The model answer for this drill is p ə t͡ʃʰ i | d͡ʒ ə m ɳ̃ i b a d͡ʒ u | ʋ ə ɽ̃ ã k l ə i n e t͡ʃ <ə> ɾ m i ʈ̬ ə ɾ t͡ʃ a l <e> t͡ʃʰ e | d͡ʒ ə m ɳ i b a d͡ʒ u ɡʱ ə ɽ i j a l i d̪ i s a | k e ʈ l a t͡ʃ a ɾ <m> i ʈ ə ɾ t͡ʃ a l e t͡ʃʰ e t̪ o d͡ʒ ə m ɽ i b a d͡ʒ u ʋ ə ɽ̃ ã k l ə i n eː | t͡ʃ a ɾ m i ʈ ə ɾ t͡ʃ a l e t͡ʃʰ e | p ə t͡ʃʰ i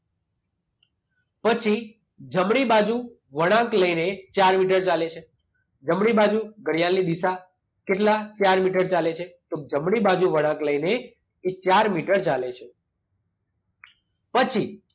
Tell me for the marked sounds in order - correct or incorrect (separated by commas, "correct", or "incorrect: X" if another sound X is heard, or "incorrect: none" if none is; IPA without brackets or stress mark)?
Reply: incorrect: a, correct, correct